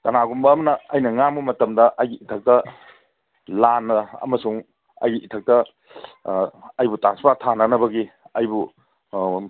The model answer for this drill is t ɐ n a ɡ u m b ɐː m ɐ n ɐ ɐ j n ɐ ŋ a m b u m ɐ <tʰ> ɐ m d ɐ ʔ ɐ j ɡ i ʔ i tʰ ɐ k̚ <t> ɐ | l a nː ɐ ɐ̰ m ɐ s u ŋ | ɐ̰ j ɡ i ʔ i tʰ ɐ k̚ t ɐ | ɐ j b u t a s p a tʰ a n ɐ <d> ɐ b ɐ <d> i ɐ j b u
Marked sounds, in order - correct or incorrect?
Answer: incorrect, correct, incorrect, incorrect

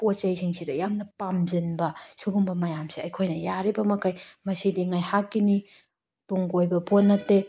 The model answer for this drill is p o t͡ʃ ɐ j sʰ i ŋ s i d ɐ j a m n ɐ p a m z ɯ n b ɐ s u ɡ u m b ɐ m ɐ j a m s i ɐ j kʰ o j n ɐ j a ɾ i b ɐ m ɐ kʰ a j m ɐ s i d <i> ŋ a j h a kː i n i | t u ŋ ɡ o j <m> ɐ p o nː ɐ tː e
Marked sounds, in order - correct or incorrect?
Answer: correct, incorrect

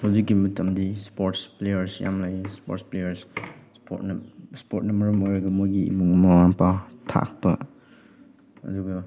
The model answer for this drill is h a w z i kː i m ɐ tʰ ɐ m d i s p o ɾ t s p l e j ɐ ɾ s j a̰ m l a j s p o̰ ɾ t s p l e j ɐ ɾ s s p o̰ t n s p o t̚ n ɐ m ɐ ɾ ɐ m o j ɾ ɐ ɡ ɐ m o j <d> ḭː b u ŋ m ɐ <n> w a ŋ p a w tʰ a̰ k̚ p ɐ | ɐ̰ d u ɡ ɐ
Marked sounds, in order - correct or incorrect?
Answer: incorrect, incorrect

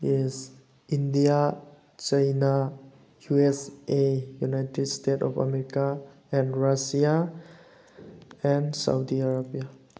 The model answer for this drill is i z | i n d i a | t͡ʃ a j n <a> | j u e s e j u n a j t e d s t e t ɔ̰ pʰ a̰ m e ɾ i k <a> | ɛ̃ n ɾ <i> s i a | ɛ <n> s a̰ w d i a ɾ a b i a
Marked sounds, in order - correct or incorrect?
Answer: correct, correct, incorrect, correct

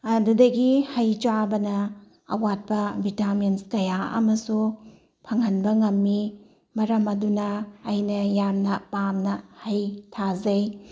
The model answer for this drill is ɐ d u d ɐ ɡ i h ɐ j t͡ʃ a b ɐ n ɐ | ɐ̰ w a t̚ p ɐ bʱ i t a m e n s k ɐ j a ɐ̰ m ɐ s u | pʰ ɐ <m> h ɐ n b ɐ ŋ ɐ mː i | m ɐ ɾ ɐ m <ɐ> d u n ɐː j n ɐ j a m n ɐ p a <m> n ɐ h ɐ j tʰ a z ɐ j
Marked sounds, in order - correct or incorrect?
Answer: incorrect, correct, correct

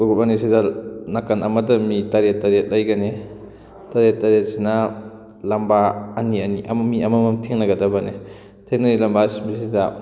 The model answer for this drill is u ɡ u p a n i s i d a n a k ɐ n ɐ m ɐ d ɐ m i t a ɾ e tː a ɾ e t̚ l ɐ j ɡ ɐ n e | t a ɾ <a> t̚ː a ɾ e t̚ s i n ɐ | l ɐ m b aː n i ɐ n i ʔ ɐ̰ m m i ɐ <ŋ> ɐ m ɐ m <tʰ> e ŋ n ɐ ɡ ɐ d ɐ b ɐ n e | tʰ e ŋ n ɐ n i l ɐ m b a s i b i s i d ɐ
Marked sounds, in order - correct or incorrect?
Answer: incorrect, incorrect, correct

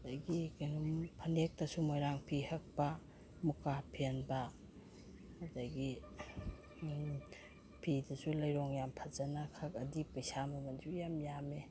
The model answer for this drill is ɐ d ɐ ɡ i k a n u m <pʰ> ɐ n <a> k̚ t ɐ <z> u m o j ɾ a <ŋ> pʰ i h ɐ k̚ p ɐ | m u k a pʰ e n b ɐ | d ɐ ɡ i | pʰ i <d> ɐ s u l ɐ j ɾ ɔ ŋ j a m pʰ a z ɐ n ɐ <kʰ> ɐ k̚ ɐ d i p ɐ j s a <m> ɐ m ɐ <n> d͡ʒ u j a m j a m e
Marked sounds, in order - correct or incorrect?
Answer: correct, incorrect, incorrect, correct, correct, correct, correct, correct

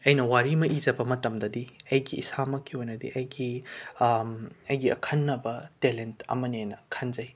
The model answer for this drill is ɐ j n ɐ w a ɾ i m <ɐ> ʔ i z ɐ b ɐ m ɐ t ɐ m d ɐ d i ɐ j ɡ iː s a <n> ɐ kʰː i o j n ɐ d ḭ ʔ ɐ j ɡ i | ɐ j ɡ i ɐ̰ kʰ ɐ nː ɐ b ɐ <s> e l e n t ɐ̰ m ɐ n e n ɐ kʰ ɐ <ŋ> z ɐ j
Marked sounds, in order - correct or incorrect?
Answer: correct, incorrect, incorrect, incorrect

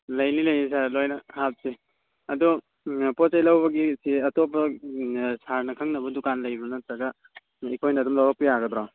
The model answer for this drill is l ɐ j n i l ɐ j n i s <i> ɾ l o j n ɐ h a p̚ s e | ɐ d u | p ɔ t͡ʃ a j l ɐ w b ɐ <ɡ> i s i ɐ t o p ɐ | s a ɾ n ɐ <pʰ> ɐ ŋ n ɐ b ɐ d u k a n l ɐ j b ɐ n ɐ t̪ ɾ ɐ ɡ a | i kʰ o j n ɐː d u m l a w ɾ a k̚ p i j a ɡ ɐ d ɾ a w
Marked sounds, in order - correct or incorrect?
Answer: incorrect, correct, incorrect

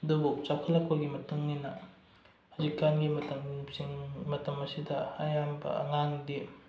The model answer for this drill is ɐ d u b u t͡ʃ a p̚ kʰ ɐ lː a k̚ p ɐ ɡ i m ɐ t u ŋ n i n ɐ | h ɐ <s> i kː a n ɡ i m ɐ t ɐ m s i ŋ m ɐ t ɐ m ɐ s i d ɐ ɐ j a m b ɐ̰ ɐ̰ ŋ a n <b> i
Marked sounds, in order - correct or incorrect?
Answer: incorrect, incorrect

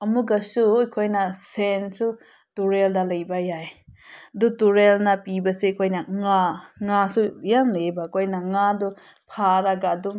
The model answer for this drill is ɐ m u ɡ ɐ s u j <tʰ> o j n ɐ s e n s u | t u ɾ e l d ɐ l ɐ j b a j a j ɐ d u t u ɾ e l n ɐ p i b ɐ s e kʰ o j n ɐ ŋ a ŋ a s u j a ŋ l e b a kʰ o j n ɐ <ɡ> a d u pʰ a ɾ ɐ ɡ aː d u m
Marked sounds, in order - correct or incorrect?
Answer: incorrect, incorrect

